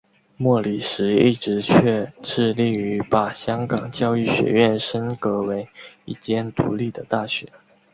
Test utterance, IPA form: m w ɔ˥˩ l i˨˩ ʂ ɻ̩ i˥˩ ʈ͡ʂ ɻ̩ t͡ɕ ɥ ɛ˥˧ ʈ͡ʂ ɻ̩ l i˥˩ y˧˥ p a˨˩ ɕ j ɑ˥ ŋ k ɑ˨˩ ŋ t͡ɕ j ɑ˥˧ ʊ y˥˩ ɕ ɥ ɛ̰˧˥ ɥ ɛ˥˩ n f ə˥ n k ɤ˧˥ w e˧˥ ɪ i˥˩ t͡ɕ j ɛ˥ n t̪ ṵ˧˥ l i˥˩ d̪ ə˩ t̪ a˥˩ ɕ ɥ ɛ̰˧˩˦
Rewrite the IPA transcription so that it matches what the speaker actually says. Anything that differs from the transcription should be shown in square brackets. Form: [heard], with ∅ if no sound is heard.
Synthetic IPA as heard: m w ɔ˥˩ l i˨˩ ʂ ɻ̩ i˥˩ ʈ͡ʂ ɻ̩ [t͡ɕʰ] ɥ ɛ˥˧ ʈ͡ʂ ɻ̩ l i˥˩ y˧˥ p a˨˩ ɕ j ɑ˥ ŋ k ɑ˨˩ ŋ t͡ɕ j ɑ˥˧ ʊ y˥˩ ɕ ɥ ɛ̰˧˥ ɥ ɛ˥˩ n [ʂ] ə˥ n k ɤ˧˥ w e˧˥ ɪ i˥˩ t͡ɕ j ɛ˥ n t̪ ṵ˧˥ l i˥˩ d̪ ə˩ t̪ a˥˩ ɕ ɥ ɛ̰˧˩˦

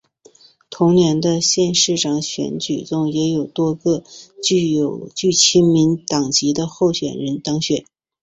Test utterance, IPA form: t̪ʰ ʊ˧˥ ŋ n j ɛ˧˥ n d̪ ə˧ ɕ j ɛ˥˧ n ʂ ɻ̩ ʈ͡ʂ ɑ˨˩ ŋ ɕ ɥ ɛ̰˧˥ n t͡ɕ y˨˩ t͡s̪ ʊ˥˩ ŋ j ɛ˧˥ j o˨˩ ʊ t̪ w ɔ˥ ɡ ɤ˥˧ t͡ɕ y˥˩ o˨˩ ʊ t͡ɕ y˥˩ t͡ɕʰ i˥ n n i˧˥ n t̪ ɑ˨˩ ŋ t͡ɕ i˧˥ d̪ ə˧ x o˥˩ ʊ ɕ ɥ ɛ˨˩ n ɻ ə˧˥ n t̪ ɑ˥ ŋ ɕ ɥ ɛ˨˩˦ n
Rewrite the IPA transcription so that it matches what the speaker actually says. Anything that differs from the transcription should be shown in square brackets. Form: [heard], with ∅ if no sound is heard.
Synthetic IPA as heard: t̪ʰ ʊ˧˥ ŋ n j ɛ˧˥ n d̪ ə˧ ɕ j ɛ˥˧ n ʂ ɻ̩ ʈ͡ʂ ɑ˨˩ ŋ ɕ ɥ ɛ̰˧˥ n t͡ɕ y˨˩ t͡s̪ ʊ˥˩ ŋ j ɛ˧˥ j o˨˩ ʊ t̪ w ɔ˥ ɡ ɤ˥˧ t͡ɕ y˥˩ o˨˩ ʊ t͡ɕ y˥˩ t͡ɕʰ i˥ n [m] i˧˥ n t̪ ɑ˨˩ ŋ t͡ɕ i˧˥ d̪ ə˧ x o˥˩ ʊ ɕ ɥ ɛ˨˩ n ɻ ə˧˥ n t̪ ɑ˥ ŋ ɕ ɥ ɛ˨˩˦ n

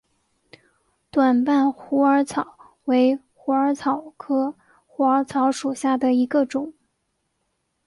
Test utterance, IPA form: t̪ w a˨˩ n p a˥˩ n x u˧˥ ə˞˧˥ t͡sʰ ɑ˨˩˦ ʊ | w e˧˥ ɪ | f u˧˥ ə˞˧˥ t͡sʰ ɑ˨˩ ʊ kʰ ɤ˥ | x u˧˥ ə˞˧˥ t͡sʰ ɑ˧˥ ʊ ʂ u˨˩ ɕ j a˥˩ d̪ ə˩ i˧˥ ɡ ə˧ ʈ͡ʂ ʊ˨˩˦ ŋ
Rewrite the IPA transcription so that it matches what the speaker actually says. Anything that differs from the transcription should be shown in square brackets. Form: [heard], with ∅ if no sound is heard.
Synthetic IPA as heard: t̪ w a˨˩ n p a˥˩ n x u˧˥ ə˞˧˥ t͡sʰ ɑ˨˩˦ ʊ | w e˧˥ ɪ | [x] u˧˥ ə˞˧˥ t͡sʰ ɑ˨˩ ʊ kʰ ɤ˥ | x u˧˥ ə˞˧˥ t͡sʰ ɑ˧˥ ʊ ʂ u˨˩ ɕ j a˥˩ d̪ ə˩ i˧˥ ɡ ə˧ ʈ͡ʂ ʊ˨˩˦ ŋ

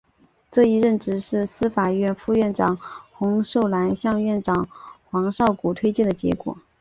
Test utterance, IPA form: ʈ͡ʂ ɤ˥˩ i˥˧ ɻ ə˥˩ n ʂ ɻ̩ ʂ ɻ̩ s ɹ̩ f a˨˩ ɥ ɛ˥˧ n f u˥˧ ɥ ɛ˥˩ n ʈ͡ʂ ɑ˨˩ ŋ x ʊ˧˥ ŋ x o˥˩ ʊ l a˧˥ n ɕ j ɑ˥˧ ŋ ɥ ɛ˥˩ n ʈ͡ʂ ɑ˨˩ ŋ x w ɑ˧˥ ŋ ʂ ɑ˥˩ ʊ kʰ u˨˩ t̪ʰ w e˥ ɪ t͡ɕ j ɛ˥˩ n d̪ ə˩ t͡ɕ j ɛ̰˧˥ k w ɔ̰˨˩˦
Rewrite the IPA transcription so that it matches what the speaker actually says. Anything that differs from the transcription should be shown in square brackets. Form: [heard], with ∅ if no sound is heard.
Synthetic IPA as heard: ʈ͡ʂ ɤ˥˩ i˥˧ ɻ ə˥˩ n [ʈ͡ʂ] ɻ̩ ʂ ɻ̩ s ɹ̩ f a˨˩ ɥ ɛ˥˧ n f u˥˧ ɥ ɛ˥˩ n ʈ͡ʂ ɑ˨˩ ŋ x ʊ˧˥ ŋ [ʂ] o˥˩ ʊ l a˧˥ n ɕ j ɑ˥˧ ŋ ɥ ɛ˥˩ n ʈ͡ʂ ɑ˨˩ ŋ x w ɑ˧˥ ŋ ʂ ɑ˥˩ ʊ [k] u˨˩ t̪ʰ w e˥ ɪ t͡ɕ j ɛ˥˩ n d̪ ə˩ t͡ɕ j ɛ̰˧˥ k w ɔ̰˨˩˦

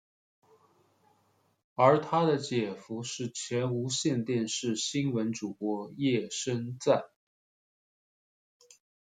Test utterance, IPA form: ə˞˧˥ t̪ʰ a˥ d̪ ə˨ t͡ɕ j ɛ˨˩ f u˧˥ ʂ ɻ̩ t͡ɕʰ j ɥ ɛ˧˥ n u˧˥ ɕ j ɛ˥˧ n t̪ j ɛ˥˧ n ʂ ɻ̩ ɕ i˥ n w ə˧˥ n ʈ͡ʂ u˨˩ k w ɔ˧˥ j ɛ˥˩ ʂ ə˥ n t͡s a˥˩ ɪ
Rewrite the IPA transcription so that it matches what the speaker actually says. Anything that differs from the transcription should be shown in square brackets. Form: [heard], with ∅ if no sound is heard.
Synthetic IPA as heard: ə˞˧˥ t̪ʰ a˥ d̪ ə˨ t͡ɕ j ɛ˨˩ f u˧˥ ʂ ɻ̩ t͡ɕʰ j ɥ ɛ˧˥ n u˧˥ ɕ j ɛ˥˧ n t̪ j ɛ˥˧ n ʂ ɻ̩ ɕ i˥ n w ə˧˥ n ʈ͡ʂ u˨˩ k w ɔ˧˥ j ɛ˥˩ ʂ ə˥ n t͡s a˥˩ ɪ

